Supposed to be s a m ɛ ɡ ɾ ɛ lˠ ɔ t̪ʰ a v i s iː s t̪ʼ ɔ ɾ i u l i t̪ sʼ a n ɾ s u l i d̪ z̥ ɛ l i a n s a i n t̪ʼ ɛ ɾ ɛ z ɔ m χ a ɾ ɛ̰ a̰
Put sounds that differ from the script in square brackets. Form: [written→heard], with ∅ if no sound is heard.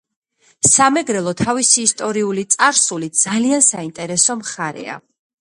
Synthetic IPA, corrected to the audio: s a m ɛ ɡ ɾ ɛ lˠ ɔ t̪ʰ a v i s iː s t̪ʼ ɔ ɾ i u l i t̪ sʼ a [n→∅] ɾ s u l i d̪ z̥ [ɛ→a] l i a n s a i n t̪ʼ ɛ ɾ ɛ [z→s] ɔ m χ a ɾ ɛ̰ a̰